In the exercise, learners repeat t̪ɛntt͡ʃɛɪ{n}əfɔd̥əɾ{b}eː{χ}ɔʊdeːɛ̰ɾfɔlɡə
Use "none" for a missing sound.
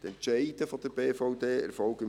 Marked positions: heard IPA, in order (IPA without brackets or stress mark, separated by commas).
d, b, f